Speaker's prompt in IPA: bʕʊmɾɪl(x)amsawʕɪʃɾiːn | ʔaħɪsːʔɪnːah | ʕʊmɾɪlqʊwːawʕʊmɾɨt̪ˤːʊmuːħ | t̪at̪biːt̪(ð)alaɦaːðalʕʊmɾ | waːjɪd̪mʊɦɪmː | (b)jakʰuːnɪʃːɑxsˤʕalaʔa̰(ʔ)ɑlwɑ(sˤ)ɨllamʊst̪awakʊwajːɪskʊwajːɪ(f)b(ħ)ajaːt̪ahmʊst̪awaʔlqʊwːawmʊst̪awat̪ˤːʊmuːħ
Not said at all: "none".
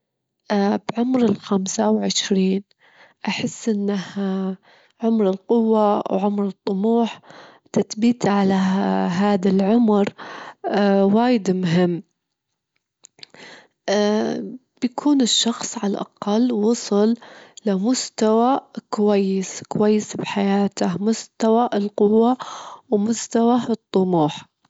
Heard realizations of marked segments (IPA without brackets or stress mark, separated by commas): x, ʕ, b, q, sˤ, s, ħ